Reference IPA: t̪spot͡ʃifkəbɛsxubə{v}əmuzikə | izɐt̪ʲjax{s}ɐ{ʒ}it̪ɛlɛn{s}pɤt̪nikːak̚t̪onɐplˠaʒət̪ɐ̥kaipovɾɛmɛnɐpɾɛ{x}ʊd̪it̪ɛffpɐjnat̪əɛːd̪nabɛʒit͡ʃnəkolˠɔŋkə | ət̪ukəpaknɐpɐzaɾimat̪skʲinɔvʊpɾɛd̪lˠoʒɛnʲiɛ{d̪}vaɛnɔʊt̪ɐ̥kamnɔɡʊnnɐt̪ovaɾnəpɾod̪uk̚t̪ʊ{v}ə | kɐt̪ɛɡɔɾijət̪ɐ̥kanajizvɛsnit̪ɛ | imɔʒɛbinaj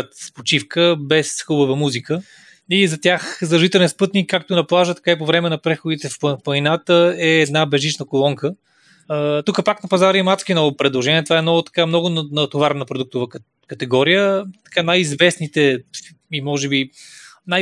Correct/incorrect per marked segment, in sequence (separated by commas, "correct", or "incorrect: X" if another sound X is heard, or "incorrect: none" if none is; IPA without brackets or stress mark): correct, incorrect: z, correct, correct, correct, incorrect: t̪, correct